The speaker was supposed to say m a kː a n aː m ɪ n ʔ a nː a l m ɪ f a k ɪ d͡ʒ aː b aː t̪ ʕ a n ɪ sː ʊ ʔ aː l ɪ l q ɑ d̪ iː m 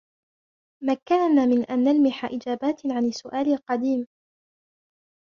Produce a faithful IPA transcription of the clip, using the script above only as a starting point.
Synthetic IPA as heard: m a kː a n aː m ɪ n ʔ a nː a l m ɪ ħ a ʔ ɪ d͡ʒ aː b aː t̪ ʕ a n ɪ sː ʊ ʔ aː l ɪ l q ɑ d̪ iː m